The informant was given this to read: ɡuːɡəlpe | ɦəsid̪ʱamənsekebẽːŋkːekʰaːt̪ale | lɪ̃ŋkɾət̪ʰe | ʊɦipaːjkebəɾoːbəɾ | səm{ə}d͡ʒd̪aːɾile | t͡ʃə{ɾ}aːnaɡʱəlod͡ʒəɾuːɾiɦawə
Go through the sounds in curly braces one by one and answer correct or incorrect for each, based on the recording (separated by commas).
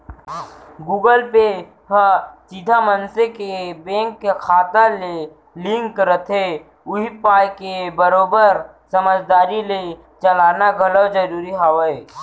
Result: correct, incorrect